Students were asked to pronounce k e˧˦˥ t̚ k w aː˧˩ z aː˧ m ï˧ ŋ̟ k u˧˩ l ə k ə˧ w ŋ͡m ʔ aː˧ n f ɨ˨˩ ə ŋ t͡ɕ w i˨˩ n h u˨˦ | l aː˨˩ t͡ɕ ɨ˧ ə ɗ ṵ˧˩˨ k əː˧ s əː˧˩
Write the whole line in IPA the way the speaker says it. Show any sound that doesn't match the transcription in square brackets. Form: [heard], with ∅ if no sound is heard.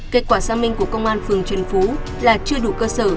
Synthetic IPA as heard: k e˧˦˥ t̚ k w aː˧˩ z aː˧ m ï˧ ŋ̟ k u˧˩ [∅] ə k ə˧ w ŋ͡m ʔ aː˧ n f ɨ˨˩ ə ŋ t͡ɕ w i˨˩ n [f] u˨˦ | l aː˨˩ t͡ɕ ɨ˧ ə ɗ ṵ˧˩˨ k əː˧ s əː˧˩